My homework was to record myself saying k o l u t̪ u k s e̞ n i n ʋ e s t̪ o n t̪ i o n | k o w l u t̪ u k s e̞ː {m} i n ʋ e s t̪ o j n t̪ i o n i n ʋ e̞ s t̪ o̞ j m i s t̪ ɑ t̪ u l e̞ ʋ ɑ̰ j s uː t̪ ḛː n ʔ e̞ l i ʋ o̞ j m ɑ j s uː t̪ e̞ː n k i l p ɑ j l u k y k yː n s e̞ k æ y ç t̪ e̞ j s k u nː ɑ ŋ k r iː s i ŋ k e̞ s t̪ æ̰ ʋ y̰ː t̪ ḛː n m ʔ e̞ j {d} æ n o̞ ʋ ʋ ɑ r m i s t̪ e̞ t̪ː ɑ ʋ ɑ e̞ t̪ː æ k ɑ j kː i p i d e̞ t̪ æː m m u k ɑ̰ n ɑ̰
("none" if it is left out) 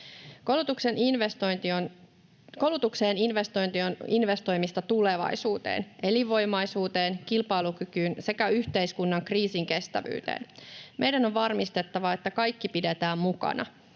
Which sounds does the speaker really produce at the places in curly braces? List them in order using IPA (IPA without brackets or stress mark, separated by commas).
n, d